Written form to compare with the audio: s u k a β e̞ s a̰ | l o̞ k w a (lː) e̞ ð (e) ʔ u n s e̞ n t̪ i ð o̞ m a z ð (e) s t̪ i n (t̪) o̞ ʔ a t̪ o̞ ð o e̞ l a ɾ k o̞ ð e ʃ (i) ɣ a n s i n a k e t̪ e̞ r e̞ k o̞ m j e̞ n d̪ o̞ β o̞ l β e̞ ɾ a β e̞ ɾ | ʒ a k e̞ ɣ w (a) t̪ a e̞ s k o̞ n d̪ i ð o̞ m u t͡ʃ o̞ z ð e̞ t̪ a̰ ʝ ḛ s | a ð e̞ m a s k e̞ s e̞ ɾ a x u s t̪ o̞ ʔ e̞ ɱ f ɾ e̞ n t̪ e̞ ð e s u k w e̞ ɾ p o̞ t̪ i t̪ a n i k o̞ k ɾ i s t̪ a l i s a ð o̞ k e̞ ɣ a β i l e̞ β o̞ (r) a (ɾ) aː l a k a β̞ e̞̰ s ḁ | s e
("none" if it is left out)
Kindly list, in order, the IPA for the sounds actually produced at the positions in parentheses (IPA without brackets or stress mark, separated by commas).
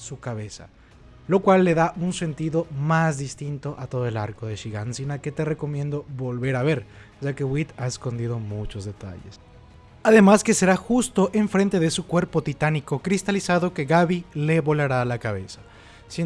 lː, a, i, t̪, i, i, l, ɾ